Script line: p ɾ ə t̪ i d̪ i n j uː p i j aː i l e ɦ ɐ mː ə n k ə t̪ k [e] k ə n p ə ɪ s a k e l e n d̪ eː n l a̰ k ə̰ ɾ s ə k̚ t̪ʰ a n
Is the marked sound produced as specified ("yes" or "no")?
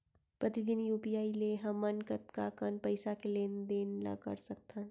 no